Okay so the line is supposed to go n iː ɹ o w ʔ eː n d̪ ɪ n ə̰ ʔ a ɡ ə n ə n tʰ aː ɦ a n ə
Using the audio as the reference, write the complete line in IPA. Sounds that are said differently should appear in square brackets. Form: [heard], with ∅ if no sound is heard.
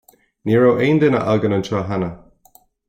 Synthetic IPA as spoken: n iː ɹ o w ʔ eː n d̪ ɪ n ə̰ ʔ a ɡ ə n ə n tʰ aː ɦ a n ə